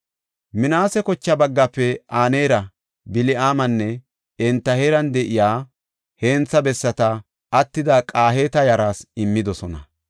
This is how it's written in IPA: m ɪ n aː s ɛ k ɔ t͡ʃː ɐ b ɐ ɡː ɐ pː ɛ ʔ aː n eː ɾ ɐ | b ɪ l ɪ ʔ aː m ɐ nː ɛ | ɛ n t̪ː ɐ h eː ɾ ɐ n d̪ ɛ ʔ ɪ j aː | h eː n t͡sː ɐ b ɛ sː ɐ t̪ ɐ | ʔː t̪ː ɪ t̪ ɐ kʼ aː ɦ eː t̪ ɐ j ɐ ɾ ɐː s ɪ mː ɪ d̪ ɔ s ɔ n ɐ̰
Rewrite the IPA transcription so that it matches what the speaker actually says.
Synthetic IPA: m ɪ n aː s ɛ k ɔ t͡ʃː ɐ b ɐ ɡː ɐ pː ɛ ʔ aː n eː ɾ ɐ | b ɪ l ɪ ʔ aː m ɐ nː ɛ | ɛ n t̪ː ɐ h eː ɾ ɐ n d̪ ɛ ʔ ɪ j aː | h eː n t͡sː ɐ b ɛ sː ɐ t̪ ɐ | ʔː t̪ː ɪ d̪ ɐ kʼ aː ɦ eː t̪ ɐ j ɐ ɾ aː s ɪ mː ɪ d̪ ɔ s ɔ n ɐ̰